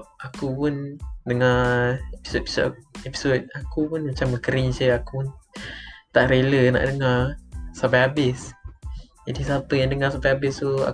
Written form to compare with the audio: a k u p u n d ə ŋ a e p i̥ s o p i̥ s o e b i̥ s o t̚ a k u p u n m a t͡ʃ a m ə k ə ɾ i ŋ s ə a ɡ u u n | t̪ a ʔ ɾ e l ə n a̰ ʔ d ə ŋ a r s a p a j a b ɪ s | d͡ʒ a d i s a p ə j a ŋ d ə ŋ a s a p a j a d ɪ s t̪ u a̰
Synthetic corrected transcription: a k u p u n d ə ŋ a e p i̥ s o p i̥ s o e p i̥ s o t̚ a k u p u n m a t͡ʃ a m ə k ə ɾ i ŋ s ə a k u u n | t̪ a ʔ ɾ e l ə n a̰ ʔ d ə ŋ a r s a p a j a b ɪ s | d͡ʒ a d i s a p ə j a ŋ d ə ŋ a s a p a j a b ɪ s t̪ u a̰